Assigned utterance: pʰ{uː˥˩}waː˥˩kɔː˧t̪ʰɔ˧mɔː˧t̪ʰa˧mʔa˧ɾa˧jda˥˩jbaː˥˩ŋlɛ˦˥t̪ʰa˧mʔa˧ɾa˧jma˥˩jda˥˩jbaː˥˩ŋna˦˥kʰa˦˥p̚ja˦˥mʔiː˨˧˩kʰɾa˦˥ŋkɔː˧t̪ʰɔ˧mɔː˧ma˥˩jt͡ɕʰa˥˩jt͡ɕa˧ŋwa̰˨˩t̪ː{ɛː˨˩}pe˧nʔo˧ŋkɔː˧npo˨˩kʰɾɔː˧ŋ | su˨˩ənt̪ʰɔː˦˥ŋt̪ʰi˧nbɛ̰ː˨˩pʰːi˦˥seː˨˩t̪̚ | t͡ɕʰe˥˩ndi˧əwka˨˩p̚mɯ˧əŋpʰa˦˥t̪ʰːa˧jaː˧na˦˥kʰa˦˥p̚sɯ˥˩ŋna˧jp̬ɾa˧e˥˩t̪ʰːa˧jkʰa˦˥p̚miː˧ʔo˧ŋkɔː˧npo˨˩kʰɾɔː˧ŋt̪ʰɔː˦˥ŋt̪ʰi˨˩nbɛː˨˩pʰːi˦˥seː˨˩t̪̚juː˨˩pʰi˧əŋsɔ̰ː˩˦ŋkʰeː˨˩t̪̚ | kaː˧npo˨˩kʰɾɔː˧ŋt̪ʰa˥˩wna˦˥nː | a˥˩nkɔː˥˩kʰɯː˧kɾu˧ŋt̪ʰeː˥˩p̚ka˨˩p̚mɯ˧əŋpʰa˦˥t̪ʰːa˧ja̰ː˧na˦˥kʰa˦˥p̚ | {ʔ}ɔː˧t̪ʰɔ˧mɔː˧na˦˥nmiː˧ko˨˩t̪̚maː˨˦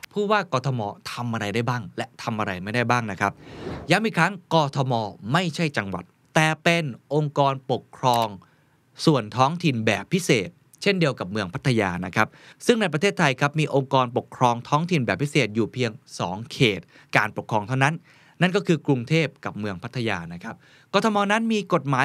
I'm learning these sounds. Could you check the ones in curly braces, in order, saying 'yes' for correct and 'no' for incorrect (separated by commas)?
yes, yes, no